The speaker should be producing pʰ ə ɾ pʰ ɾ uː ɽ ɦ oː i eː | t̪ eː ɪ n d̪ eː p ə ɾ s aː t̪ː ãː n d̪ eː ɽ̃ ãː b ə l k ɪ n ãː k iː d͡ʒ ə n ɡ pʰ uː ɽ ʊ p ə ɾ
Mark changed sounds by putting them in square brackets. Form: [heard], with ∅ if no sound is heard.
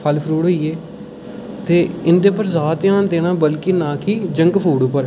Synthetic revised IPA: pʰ ə [l] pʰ ɾ uː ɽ ɦ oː i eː | t̪ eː ɪ n d̪ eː p ə ɾ [z] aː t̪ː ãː n d̪ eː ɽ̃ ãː b ə l k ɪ n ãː k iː d͡ʒ ə [ŋ] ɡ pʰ uː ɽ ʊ p ə ɾ